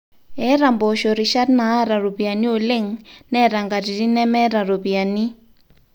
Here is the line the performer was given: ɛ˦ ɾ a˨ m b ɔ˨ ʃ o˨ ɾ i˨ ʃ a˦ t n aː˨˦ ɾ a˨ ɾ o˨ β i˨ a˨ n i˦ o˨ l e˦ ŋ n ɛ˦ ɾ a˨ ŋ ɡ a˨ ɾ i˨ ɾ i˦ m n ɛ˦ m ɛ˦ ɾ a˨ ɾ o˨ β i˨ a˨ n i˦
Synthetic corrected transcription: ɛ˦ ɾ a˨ m b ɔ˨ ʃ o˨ ɾ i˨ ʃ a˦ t n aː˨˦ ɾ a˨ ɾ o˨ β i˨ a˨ n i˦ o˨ l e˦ ŋ n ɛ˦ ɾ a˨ ŋ ɡ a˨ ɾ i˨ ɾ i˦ n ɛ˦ m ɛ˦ ɾ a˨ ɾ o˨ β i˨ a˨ n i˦